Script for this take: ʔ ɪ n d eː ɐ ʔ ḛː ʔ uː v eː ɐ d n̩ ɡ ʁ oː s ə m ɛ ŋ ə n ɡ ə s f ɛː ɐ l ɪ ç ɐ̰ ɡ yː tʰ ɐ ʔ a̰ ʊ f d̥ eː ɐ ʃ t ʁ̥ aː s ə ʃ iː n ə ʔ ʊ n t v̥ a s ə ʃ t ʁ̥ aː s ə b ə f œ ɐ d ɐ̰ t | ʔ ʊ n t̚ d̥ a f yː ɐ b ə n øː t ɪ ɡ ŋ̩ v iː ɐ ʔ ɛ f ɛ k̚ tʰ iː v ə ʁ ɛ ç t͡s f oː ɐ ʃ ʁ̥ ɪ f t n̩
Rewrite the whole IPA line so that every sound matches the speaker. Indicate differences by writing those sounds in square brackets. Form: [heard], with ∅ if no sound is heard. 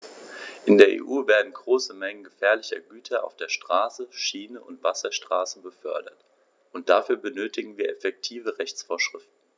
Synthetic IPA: ʔ ɪ n d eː ɐ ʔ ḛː ʔ uː v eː ɐ d n̩ ɡ ʁ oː s ə m ɛ ŋ ə n ɡ ə [∅] f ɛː ɐ l ɪ ç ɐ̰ ɡ yː tʰ ɐ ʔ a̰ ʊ f d̥ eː ɐ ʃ t ʁ̥ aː s ə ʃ iː n ə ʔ ʊ n t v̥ a s [ɐ] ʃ t ʁ̥ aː s ə b ə f œ ɐ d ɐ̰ t | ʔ ʊ n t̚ d̥ a f yː ɐ b ə n øː t ɪ ɡ ŋ̩ v iː ɐ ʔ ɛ f ɛ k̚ tʰ iː v ə ʁ ɛ ç t͡s f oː ɐ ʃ ʁ̥ ɪ f t n̩